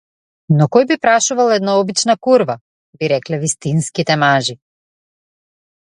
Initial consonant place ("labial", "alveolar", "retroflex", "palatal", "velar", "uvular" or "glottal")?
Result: alveolar